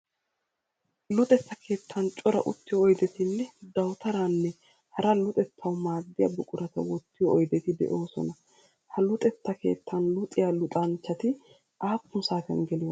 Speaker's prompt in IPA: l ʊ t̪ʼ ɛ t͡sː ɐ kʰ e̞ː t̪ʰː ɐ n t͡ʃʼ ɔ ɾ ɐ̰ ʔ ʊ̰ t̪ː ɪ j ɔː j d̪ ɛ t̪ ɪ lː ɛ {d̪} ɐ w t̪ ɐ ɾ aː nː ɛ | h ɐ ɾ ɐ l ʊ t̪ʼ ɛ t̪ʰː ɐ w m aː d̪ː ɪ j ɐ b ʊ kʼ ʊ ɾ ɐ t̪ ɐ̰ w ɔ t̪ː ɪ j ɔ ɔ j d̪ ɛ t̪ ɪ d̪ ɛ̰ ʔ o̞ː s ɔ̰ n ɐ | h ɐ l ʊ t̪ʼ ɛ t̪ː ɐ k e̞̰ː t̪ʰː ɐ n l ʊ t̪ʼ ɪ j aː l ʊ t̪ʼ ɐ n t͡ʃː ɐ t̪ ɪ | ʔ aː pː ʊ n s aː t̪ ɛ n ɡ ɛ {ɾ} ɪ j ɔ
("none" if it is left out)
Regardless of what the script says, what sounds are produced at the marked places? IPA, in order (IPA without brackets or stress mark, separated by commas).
d̪, l